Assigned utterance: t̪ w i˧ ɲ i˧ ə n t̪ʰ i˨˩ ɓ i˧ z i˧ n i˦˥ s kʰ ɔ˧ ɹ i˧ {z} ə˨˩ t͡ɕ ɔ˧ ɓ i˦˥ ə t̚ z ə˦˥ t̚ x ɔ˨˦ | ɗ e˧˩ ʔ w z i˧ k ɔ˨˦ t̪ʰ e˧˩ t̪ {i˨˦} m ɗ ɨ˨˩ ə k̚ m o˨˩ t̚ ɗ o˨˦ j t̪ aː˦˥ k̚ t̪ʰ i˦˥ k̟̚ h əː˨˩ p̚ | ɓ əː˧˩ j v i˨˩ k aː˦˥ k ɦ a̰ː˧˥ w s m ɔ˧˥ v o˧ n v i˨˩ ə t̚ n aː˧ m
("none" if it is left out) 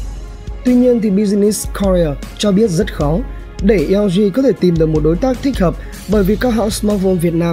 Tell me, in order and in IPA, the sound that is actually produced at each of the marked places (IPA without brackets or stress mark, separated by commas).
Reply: none, i˨˩